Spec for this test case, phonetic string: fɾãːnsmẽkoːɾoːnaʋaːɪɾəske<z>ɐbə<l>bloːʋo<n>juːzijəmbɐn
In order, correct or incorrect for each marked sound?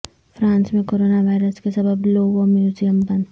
incorrect: s, incorrect: none, incorrect: m

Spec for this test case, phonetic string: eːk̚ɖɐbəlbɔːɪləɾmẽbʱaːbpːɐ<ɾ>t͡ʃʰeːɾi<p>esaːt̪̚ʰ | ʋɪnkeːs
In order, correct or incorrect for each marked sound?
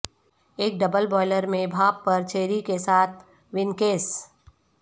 correct, incorrect: k

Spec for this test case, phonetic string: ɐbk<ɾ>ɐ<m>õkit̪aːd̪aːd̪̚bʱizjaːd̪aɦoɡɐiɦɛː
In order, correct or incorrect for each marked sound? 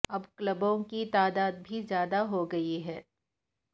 incorrect: l, incorrect: b

